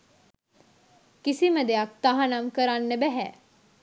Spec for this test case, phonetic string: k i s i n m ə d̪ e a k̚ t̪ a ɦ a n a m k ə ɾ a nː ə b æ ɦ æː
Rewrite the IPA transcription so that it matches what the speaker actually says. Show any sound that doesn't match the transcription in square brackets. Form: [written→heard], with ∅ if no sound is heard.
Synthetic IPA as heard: k i s i [n→∅] m ə d̪ e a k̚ t̪ a ɦ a n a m k ə ɾ a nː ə b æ ɦ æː